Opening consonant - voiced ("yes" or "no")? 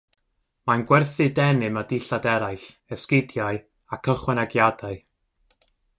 yes